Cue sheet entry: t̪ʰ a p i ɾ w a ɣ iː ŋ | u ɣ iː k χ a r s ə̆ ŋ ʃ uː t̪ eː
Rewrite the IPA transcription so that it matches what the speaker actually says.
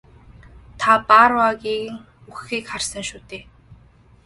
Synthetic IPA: t̪ʰ a p a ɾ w a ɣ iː ŋ | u x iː k χ a r s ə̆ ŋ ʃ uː t̪ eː